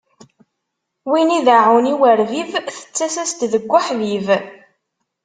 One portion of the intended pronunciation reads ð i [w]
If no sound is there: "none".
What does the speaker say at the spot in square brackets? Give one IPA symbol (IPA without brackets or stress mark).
v